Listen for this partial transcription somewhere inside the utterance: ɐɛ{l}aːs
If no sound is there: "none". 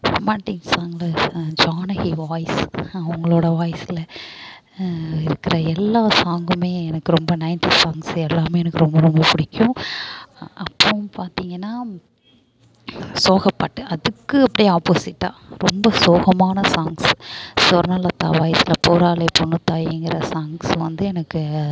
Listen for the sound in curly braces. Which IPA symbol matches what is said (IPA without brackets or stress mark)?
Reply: lː